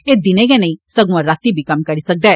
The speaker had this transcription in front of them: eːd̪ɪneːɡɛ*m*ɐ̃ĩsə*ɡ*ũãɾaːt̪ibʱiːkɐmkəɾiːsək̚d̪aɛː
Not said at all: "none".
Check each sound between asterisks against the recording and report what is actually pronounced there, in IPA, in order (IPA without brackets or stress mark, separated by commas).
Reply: n, ɡ